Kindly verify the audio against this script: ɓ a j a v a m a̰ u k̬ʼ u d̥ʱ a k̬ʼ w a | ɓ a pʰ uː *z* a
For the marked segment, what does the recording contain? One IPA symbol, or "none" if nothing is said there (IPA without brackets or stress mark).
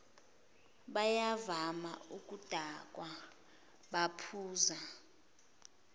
z